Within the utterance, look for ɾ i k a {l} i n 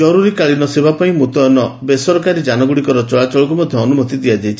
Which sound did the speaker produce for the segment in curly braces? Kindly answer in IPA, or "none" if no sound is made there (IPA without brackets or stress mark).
ɭ